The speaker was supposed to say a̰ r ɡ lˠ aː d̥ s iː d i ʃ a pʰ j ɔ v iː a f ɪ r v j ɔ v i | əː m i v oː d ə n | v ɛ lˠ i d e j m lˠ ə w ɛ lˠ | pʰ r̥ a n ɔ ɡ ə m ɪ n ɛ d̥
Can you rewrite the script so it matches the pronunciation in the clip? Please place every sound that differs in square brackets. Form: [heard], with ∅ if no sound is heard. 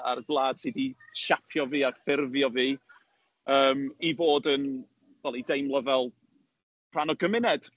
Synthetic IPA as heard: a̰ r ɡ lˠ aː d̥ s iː d i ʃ a pʰ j ɔ v iː a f ɪ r v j ɔ v [iː] | əː m i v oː d ə n | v ɛ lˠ i d e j m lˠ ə [v] ɛ lˠ | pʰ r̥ a n ɔ ɡ ə m ɪ n ɛ d̥